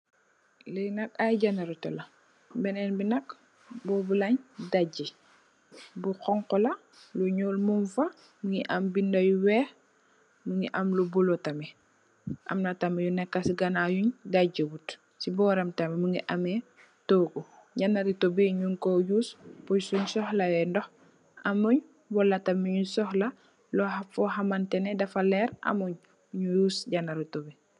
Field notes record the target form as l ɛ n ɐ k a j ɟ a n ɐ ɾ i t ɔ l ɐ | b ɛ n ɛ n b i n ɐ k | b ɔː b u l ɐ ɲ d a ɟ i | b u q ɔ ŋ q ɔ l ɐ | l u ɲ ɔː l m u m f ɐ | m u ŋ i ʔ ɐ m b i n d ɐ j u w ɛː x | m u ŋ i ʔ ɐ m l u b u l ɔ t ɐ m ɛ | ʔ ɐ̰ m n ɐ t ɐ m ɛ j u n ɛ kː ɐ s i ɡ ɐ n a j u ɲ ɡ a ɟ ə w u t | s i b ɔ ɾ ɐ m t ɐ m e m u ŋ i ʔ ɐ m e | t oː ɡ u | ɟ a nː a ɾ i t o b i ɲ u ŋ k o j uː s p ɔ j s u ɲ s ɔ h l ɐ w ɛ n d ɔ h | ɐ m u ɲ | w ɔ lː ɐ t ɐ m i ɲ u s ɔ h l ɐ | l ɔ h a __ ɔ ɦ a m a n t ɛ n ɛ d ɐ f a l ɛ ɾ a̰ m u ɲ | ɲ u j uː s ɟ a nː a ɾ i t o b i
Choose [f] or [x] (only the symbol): f